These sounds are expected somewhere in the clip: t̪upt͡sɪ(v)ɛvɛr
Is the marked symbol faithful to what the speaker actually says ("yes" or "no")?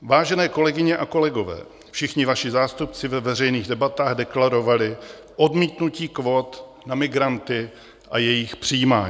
yes